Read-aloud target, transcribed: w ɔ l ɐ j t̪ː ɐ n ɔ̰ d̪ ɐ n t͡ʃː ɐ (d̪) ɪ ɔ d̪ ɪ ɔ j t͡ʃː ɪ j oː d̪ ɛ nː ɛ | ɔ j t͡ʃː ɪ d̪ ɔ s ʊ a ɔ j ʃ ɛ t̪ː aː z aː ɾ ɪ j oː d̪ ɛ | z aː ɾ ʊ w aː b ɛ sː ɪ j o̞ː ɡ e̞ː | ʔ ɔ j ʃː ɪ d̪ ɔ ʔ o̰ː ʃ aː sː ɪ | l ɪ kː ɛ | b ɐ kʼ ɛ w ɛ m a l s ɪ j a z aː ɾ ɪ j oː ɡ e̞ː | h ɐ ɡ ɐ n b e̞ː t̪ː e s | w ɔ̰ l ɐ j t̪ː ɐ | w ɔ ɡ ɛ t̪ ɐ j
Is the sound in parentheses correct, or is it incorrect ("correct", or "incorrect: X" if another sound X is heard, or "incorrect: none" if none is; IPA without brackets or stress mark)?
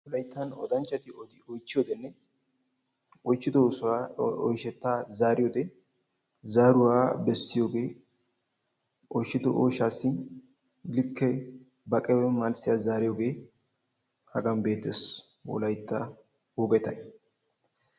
incorrect: t̪